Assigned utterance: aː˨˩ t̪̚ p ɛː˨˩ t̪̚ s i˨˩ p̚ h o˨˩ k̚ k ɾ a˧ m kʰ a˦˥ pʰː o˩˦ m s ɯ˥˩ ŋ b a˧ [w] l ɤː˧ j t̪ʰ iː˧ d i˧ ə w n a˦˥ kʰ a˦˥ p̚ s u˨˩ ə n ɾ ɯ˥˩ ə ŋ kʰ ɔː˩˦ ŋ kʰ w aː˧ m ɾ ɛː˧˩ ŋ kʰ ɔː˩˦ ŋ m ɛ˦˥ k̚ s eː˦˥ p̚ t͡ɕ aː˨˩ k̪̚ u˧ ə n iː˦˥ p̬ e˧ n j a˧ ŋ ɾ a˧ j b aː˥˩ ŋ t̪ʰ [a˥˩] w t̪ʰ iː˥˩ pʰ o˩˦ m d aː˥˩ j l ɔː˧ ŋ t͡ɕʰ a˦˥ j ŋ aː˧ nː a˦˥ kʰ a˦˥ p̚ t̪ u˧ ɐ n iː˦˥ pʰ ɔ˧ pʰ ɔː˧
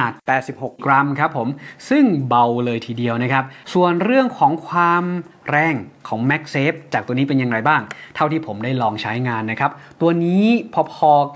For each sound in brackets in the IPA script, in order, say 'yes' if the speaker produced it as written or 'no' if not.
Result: yes, yes

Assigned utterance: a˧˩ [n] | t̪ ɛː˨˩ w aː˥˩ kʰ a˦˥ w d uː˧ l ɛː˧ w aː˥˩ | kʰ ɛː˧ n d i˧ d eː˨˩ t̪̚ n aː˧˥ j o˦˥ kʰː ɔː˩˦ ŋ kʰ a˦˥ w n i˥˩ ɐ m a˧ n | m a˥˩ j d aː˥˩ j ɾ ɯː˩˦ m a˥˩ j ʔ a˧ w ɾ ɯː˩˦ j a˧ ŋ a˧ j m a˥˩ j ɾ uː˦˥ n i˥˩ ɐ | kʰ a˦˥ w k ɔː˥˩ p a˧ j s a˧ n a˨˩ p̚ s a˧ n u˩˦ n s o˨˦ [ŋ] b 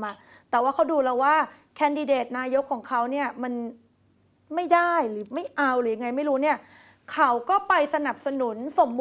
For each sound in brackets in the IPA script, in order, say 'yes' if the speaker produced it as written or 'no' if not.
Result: no, no

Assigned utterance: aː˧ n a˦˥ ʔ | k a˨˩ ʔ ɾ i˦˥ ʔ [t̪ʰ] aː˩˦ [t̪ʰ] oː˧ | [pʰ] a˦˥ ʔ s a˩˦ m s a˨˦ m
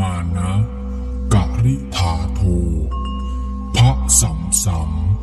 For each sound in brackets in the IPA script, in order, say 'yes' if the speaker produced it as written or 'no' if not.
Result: yes, yes, yes

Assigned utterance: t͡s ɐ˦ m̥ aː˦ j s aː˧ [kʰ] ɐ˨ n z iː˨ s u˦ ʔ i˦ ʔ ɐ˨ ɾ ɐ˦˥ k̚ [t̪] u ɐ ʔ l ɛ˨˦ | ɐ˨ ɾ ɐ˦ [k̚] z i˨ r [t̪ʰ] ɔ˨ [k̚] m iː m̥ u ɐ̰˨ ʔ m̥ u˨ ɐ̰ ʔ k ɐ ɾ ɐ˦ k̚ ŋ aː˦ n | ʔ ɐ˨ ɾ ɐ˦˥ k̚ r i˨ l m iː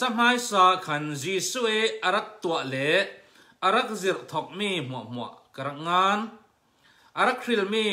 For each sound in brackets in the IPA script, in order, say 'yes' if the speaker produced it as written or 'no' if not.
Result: yes, yes, yes, yes, yes

